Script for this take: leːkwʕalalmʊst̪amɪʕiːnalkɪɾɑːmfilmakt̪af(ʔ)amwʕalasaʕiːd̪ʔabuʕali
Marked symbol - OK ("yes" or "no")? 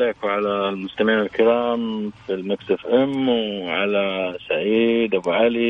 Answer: yes